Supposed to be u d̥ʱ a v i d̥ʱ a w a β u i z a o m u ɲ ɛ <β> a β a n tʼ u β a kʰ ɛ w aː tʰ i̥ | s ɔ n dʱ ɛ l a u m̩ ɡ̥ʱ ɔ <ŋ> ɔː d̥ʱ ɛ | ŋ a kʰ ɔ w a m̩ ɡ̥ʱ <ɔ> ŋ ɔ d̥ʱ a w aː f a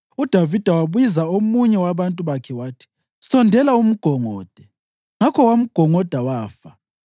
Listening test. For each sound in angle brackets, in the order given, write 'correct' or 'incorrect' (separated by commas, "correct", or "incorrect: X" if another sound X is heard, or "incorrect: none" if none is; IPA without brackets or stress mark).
incorrect: w, correct, correct